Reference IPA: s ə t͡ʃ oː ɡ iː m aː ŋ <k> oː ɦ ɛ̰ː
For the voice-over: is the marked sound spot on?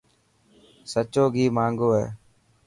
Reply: no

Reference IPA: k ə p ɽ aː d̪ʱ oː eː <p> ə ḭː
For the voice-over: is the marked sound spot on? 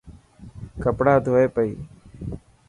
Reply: yes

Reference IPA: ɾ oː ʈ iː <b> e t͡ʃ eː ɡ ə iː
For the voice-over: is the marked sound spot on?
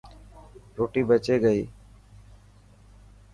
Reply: yes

